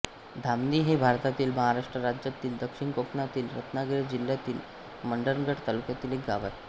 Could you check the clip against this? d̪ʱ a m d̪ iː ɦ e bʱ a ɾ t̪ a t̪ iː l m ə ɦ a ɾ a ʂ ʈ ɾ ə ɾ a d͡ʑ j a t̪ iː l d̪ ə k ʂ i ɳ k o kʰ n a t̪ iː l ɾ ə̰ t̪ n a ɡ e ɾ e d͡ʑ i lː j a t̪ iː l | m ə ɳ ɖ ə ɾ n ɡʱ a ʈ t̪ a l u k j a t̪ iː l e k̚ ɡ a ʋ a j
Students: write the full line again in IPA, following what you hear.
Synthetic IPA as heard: d̪ʱ a m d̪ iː ɦ e bʱ a ɾ t̪ a t̪ iː l m ə ɦ a ɾ a ʂ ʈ ɾ ə ɾ a d͡ʑ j a t̪ iː l d̪ ə k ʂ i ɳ k o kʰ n a t̪ iː l ɾ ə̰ t̪ n a ɡ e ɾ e d͡ʑ i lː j a t̪ iː l | m ə ɳ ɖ ə ɾ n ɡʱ ə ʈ t̪ a l u k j a t̪ iː l e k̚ ɡ a ʋ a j